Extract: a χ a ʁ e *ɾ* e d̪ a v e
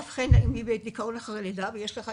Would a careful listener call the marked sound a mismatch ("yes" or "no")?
yes